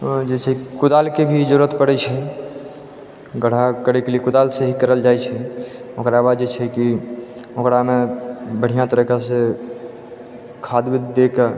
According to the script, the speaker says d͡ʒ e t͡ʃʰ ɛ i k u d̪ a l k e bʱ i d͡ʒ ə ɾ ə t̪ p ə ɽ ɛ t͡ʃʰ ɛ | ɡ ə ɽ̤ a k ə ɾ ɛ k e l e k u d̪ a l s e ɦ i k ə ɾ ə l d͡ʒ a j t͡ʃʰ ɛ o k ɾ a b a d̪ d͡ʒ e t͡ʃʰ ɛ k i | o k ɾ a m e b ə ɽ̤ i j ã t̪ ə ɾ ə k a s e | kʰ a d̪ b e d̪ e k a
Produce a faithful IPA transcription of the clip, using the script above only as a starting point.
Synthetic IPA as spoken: d͡ʒ e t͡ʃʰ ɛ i k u d̪ a l k e bʱ i d͡ʒ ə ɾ ə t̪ p ə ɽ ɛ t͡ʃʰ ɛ | ɡ ə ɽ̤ a k ə ɾ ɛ k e l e k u d̪ a l s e ɦ i k ə ɾ ə l d͡ʒ a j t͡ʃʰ ɛ o k ɾ a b a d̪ d͡ʒ e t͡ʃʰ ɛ k i | o k ɾ a m e b ə ɽ̤ i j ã t̪ ə ɾ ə k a s e | kʰ a d̪ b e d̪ e k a